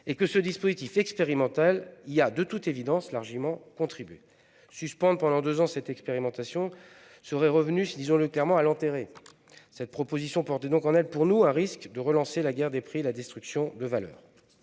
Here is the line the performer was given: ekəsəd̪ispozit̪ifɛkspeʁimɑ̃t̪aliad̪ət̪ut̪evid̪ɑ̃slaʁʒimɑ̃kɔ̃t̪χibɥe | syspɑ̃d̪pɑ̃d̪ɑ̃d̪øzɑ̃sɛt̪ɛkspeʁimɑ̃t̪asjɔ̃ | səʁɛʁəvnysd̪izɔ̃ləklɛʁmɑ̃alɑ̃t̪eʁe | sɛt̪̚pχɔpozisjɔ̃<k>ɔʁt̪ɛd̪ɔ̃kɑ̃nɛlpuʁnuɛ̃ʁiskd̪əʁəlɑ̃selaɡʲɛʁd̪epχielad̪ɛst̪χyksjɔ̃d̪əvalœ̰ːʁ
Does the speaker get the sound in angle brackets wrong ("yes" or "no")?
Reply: yes